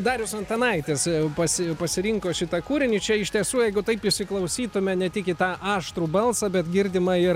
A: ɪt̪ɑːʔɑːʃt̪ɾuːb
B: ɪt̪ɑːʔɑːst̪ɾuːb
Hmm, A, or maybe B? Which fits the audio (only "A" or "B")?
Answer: A